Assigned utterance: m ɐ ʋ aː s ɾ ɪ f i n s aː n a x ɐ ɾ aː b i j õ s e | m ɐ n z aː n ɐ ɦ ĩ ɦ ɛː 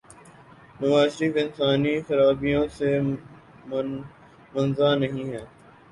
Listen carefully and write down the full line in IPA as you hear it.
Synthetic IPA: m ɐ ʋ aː ʃ ɾ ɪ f ɪ n s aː n i x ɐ ɾ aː b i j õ s e | m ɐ n z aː n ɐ ɦ ĩ ɦ ɛː